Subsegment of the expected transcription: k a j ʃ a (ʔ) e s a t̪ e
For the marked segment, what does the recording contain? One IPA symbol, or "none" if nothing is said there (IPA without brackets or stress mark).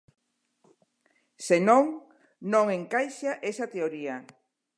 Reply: ʔ